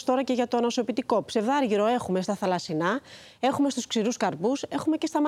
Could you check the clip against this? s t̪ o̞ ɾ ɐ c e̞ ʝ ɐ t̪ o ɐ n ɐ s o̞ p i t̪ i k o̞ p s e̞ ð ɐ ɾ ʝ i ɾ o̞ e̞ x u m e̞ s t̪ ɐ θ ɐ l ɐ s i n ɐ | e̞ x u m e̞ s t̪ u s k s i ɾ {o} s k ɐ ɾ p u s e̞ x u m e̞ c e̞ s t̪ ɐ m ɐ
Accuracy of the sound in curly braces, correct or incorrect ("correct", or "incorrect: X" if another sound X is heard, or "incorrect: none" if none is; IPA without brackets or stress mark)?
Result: incorrect: u